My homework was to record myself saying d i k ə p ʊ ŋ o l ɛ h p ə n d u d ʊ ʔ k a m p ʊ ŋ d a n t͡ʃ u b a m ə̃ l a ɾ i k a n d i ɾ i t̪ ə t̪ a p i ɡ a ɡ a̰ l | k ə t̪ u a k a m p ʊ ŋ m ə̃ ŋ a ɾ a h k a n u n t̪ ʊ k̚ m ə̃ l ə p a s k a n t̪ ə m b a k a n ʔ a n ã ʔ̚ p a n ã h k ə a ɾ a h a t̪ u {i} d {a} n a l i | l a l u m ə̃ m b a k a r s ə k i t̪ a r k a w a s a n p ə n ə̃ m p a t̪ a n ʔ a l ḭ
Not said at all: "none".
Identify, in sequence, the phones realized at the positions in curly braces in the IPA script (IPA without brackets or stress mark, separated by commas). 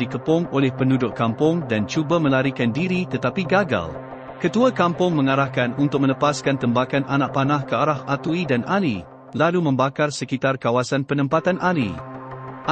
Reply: i, a